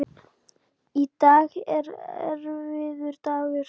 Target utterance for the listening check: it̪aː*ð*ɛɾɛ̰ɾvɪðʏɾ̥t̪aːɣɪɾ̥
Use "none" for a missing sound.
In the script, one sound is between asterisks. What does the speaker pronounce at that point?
ɣ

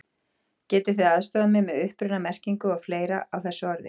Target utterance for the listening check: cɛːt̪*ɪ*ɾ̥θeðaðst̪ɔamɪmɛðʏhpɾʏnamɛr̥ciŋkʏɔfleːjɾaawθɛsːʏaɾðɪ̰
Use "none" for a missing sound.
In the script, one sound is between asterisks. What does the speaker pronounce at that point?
ɪ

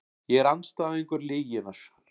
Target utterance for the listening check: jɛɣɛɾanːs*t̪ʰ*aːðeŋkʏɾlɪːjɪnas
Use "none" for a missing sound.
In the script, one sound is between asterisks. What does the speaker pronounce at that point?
t̪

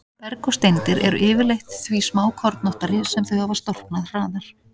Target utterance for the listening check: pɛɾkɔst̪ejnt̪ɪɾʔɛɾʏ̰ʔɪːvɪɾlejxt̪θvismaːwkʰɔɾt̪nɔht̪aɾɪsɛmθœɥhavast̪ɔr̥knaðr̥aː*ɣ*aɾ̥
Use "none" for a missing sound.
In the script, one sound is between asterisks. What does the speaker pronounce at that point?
ð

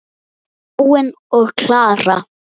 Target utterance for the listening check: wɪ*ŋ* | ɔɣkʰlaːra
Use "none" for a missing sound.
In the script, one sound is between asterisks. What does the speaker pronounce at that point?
n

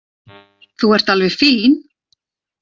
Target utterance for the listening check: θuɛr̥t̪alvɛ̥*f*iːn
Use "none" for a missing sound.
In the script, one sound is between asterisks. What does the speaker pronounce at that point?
f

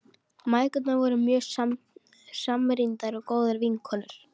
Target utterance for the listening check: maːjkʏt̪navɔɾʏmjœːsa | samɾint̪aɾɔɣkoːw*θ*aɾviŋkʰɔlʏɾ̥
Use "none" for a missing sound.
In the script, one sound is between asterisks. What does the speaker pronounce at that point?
ð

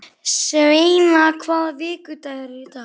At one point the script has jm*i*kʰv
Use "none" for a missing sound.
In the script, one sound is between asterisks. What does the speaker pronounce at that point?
a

